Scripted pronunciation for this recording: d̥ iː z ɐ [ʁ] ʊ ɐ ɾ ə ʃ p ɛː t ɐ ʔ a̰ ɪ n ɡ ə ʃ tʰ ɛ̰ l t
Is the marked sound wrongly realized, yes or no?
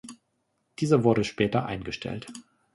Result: yes